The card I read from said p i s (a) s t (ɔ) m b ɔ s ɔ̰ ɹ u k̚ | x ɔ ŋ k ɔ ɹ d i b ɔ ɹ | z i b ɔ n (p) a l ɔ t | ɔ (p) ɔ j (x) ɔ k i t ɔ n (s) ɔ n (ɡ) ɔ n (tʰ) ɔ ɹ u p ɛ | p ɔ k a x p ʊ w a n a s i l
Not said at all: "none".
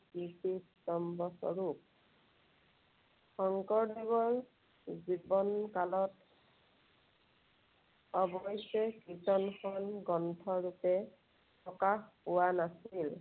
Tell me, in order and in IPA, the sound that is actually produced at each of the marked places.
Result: i, ɔ, k, b, s, x, ɡ, tʰ

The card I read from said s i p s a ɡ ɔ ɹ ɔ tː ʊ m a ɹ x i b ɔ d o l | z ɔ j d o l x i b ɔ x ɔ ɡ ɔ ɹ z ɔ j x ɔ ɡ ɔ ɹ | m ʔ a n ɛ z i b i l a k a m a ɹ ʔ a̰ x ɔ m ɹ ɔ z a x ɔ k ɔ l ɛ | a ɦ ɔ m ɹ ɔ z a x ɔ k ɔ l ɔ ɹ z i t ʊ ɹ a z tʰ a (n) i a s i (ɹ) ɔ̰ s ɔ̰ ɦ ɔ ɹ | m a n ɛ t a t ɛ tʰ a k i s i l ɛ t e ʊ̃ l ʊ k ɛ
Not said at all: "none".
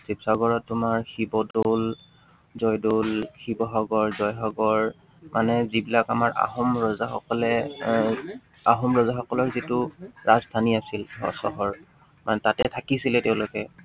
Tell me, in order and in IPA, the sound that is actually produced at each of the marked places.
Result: n, l

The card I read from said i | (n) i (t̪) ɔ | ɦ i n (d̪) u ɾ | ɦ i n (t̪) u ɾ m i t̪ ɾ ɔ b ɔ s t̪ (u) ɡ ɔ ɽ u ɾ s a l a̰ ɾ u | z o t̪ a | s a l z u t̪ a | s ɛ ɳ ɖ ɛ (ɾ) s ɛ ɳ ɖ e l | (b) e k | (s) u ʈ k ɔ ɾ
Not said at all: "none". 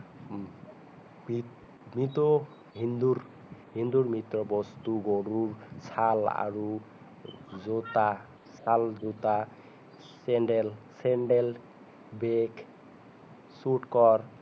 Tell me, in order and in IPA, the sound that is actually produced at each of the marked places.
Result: m, t̪, d̪, d̪, u, l, b, s

